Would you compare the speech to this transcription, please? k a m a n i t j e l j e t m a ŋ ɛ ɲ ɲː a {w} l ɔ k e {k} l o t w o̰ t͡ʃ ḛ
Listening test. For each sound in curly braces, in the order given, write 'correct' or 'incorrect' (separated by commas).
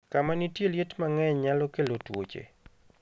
incorrect, incorrect